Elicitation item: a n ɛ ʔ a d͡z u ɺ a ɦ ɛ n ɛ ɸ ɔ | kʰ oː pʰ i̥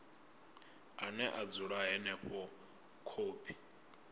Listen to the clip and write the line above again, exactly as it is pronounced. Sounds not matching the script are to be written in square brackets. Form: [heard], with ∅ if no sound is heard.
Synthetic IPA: a n ɛ ʔ a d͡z u ɺ a ɦ ɛ n ɛ ɸ ɔ | kʰ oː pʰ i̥